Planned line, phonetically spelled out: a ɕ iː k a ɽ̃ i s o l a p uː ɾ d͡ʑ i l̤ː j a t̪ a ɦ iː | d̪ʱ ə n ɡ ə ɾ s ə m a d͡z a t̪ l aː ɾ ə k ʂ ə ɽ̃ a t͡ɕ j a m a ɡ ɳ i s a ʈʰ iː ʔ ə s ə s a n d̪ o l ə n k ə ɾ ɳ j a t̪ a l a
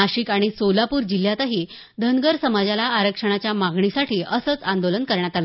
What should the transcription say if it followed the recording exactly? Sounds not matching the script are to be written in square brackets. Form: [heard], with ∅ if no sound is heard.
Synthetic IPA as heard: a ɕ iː k a ɽ̃ i s o l a p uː ɾ d͡ʑ i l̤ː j a t̪ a ɦ iː | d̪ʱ ə n ɡ ə ɾ s ə m a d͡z a [∅] l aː ɾ ə k ʂ ə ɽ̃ a t͡ɕ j a m a ɡ ɳ i s a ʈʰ iː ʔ ə s ə [t͡s] a n d̪ o l ə n k ə ɾ ɳ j a t̪ a l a